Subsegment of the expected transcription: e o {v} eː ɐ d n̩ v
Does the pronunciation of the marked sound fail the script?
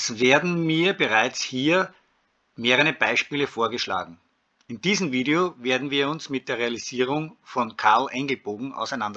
no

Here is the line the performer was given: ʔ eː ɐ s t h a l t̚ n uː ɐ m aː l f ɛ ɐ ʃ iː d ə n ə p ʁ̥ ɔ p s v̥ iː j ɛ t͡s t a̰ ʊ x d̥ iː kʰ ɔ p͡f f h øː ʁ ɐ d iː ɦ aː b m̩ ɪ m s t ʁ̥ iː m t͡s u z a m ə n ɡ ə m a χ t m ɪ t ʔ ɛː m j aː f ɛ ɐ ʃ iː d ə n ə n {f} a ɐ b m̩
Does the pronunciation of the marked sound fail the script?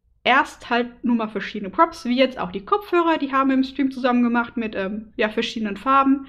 no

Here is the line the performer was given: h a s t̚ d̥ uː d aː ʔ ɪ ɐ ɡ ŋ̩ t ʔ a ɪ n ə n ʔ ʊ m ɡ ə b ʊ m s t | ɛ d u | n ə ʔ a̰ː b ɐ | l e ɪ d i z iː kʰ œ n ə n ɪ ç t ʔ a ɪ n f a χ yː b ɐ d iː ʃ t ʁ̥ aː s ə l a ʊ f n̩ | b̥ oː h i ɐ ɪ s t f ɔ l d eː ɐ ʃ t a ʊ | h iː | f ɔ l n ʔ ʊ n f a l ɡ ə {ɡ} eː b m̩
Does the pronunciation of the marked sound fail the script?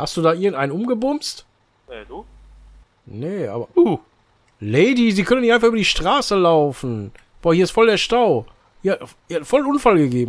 no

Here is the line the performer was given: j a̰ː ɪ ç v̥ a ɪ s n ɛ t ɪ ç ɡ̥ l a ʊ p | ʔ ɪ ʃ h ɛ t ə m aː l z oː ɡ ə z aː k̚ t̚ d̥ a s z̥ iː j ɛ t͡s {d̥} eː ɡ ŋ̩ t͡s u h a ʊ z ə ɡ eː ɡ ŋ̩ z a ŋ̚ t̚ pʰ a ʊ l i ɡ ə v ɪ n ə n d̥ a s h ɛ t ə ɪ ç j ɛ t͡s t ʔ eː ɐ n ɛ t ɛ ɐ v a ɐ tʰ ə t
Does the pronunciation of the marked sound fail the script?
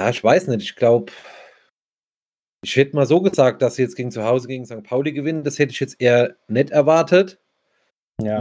yes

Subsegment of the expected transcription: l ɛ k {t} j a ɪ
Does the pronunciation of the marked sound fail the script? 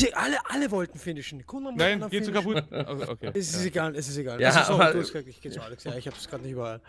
yes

